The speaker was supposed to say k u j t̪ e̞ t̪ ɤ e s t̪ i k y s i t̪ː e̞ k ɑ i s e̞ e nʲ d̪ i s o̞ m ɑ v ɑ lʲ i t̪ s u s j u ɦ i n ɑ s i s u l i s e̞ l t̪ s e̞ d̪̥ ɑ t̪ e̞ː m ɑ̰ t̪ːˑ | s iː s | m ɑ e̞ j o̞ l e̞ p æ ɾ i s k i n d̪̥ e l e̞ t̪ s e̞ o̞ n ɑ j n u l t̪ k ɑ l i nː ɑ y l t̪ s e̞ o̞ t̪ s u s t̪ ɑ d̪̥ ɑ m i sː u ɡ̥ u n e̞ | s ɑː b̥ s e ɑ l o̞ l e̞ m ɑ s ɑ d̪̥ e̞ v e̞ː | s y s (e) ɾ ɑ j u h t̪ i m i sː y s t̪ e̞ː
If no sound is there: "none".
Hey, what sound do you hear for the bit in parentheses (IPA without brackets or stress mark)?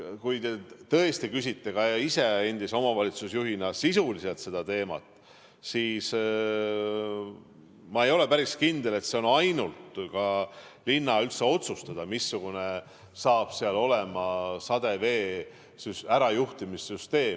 æ